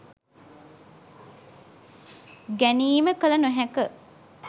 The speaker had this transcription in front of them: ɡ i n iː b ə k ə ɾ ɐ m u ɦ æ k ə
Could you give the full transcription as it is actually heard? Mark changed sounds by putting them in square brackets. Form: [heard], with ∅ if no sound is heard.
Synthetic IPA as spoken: ɡ [æ] n iː [m] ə k ə [l] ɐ [n] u ɦ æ k ə